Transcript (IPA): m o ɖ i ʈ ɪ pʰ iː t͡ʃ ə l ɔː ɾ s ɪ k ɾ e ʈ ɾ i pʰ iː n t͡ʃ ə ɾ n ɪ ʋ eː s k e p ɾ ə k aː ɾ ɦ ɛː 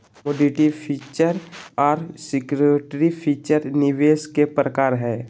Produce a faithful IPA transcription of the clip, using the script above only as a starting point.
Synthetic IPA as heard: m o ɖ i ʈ i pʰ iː t͡ʃ ə ɾ ɔː ɾ s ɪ k ɾ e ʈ ɾ i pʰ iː t͡ʃ ə ɾ n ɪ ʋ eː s k e p ɾ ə k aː ɾ ɦ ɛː

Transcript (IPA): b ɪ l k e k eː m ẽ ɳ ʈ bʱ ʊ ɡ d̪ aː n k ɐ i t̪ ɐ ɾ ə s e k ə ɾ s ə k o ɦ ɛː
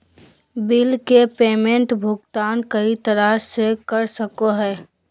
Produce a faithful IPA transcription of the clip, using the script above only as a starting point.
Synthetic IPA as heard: b ɪ l k e p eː m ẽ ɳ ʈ bʱ ʊ ɡ t̪ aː n k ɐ i t̪ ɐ ɾ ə s e k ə ɾ s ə k o ɦ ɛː

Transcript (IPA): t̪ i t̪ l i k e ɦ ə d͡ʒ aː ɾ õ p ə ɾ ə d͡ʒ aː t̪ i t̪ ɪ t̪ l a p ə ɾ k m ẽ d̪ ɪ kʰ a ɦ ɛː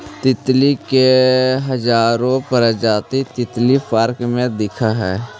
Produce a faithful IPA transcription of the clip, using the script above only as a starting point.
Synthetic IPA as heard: t̪ ɪ t̪ l i k e ɦ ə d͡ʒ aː ɾ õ p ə ɾ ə d͡ʒ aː t̪ i t̪ ɪ t̪ l i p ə ɾ k m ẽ d̪ ɪ kʰ a ɦ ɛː

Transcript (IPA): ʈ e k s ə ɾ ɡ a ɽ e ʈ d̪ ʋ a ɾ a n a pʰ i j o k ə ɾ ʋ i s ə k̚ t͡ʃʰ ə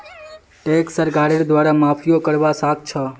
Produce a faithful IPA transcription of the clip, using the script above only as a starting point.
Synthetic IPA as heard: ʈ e k s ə ɾ ɡ a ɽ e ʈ d̪ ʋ a ɾ a m a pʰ i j o k ə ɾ ʋ a s a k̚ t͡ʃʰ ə

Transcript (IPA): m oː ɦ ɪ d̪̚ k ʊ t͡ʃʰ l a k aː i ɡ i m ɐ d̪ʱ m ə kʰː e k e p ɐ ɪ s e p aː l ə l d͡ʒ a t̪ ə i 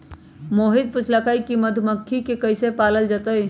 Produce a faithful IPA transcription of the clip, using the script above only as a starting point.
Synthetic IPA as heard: m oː ɦ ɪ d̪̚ p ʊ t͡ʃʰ l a k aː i k i m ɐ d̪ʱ m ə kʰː i k e k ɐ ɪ s e p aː l ə l d͡ʒ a t̪ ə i

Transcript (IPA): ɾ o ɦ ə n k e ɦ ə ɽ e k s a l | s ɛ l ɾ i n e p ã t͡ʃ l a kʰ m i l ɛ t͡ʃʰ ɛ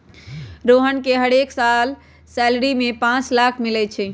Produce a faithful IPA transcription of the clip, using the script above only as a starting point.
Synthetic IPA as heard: ɾ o ɦ ə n k e ɦ ə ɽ e k s a l | s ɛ l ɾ i m e p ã t͡ʃ l a kʰ m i l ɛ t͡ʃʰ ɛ

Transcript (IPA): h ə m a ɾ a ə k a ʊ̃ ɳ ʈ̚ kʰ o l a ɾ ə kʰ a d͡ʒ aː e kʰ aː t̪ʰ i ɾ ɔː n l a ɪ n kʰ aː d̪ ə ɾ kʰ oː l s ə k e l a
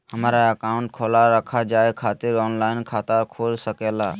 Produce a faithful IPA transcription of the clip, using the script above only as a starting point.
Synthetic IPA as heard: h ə m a ɾ a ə k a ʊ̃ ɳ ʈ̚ kʰ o l a ɾ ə kʰ a d͡ʒ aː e kʰ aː t̪ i ɾ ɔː n l a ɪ n kʰ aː t̪ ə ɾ kʰ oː l s ə k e l a

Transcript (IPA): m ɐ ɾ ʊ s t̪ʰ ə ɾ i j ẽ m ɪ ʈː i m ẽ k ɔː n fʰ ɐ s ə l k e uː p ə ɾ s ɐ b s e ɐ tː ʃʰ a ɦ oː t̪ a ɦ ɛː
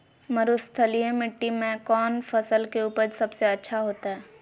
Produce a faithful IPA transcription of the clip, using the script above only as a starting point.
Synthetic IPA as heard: m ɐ ɾ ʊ s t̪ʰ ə l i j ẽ m ɪ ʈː i m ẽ k ɔː n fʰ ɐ s ə l k e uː p ə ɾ s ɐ b s e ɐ tː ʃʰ a ɦ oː t̪ a ɦ ɛː

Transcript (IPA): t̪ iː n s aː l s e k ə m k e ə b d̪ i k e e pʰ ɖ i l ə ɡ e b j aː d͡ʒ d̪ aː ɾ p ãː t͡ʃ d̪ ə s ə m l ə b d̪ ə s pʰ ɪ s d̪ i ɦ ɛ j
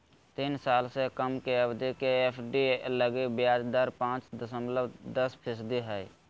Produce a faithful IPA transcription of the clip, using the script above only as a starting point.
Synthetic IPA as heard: t̪ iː n s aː l s e k ə m k e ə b d̪ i k e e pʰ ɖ i l ə ɡ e b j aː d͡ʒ d̪ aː ɾ p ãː t͡ʃ d̪ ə s ə m l ə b d̪ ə s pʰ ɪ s d̪ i ɦ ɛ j

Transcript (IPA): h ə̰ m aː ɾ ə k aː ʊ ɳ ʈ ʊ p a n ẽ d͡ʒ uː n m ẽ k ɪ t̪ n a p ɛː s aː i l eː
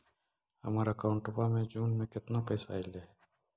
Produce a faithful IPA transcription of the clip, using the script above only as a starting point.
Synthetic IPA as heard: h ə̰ m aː ɾ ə k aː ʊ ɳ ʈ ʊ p a m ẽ d͡ʒ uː n m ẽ k ɪ t̪ n a p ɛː s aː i l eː

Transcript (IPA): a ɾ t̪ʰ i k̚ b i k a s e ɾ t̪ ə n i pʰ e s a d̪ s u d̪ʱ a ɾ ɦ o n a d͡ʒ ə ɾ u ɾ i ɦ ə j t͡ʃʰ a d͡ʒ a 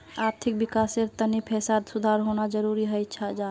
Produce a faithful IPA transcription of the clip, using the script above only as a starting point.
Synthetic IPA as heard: a ɾ t̪ʰ i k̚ b i k a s e ɾ t̪ ə n i pʰ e s a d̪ s u d̪ʱ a ɾ ɦ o n a d͡ʒ ə ɾ u ɾ i ɦ ə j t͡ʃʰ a d͡ʒ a

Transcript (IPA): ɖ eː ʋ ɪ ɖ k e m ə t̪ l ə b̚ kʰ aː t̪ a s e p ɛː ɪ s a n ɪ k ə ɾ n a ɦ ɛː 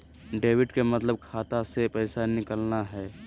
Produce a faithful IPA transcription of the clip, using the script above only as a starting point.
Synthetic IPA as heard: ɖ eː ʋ ɪ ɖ k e m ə t̪ l ə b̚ kʰ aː t̪ a s e p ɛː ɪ s a n ɪ k ə l n a ɦ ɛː

